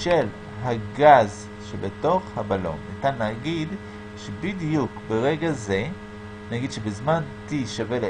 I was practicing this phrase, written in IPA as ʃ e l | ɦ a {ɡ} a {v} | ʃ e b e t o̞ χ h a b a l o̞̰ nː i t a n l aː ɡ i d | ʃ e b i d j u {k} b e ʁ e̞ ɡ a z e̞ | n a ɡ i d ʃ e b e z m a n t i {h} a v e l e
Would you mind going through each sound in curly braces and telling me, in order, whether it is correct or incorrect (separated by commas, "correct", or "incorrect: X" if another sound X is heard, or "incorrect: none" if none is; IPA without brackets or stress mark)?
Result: correct, incorrect: z, correct, incorrect: ʃ